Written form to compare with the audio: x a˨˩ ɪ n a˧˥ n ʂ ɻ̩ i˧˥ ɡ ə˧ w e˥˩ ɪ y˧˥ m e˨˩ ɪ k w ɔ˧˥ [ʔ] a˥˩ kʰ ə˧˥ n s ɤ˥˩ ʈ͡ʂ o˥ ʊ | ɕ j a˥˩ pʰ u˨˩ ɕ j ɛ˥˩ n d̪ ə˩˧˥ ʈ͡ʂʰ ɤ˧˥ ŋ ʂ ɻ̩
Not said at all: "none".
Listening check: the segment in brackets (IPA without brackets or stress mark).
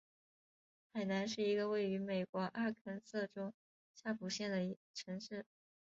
ʔ